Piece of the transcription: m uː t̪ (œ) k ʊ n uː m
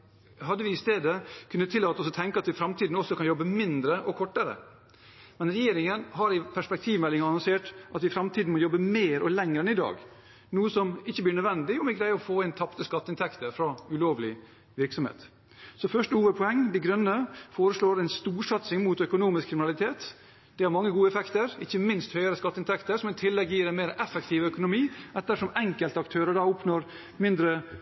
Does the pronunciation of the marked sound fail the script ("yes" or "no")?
no